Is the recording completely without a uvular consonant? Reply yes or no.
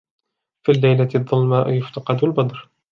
no